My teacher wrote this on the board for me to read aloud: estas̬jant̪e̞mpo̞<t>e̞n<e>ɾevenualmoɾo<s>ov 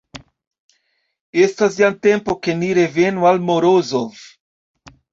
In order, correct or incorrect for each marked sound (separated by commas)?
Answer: incorrect, incorrect, incorrect